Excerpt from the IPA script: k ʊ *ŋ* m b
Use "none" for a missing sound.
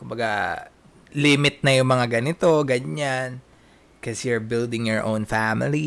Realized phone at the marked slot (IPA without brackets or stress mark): none